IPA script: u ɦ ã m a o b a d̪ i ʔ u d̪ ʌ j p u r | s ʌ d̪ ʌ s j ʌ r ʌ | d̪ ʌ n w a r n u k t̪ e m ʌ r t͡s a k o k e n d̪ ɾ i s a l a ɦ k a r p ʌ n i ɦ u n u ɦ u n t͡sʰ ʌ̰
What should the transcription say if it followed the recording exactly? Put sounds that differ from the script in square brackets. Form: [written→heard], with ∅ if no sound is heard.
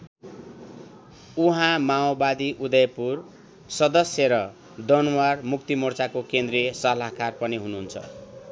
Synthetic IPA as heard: u ɦ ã m a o b a d̪ i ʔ u d̪ ʌ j p u r | s ʌ d̪ ʌ s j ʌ [r→ɾ] ʌ | d̪ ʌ n w a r [n→m] u k t̪ [e→i] m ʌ r t͡s a k o k e n d̪ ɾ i s [a→ʌ] l a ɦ k a r p ʌ n i ɦ u n u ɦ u n t͡sʰ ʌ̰